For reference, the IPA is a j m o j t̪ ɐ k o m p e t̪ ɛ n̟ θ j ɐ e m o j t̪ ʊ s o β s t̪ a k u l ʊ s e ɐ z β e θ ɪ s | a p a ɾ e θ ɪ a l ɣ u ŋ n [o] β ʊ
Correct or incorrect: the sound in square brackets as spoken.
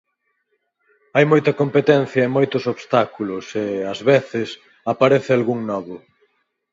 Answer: incorrect: ɔ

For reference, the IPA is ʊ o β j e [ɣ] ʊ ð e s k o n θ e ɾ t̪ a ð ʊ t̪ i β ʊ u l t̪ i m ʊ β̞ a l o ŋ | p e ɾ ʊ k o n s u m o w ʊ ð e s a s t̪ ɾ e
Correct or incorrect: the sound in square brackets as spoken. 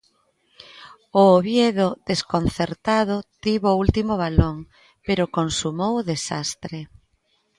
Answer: incorrect: ð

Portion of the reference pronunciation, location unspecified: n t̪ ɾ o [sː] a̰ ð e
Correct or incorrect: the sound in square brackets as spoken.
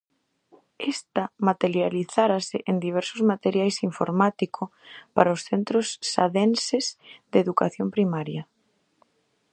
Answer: correct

